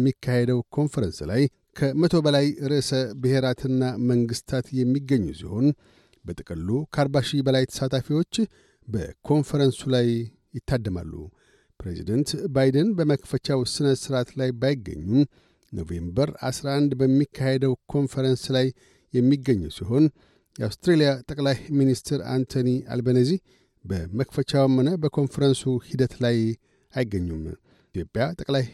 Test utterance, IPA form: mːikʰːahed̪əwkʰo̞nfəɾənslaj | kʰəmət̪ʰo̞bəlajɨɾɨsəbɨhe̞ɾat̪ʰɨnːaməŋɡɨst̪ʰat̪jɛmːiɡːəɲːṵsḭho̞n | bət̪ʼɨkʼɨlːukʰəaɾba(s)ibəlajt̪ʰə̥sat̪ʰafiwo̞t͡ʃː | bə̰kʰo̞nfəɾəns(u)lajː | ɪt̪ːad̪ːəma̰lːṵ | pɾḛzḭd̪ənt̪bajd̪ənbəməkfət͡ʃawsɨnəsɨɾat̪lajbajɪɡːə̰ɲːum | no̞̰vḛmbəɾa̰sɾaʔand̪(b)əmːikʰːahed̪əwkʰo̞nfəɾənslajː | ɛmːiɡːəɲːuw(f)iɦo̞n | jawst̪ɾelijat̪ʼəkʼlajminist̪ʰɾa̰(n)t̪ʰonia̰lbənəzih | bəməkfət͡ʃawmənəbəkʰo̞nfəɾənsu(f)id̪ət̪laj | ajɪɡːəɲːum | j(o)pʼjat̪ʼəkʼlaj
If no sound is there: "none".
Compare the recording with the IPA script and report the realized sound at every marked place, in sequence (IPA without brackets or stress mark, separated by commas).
ʃ, u, b, s, n, h, o